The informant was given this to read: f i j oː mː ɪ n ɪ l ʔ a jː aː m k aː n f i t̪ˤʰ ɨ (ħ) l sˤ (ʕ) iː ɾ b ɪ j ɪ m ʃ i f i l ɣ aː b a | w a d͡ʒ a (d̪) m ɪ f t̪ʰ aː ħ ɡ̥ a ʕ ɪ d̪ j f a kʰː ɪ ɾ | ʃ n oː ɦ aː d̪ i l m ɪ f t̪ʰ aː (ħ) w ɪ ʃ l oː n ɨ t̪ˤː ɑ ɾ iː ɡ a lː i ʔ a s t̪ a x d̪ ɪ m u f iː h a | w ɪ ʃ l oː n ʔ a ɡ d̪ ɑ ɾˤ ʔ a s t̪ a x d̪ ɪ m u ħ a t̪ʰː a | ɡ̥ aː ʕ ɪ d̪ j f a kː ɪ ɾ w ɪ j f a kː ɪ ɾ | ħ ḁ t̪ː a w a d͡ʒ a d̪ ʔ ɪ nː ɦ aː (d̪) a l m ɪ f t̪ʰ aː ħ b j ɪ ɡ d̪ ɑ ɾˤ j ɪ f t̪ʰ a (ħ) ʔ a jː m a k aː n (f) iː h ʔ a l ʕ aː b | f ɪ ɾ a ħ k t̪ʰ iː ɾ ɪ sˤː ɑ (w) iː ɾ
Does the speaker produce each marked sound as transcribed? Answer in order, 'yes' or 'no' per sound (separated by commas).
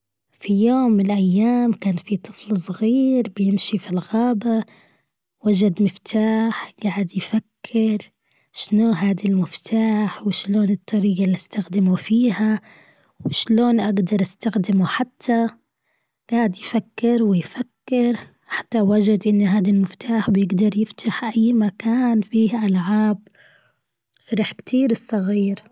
no, no, yes, yes, yes, yes, yes, no